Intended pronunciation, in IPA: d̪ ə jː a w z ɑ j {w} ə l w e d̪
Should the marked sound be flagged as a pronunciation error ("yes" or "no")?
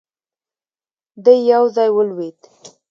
no